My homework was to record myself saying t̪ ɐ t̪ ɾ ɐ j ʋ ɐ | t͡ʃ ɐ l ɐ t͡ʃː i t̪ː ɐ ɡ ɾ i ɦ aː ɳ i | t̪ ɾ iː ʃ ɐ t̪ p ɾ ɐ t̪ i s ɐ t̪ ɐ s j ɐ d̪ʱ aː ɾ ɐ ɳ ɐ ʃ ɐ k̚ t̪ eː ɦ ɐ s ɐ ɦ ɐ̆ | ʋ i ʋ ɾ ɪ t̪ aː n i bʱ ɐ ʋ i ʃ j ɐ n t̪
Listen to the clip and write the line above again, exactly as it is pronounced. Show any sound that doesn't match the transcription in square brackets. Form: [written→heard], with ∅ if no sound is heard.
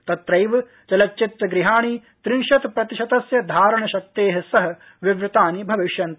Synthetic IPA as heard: t̪ ɐ t̪ ɾ ɐ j ʋ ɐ | t͡ʃ ɐ l ɐ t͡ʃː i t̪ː ɐ ɡ ɾ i ɦ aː ɳ i | t̪ ɾ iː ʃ ɐ t̪ p ɾ ɐ t̪ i [s→ʃ] ɐ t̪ ɐ s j ɐ d̪ʱ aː ɾ ɐ ɳ ɐ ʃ ɐ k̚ t̪ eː ɦ ɐ s ɐ ɦ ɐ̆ | ʋ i ʋ ɾ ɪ t̪ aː n i bʱ ɐ ʋ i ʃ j ɐ n t̪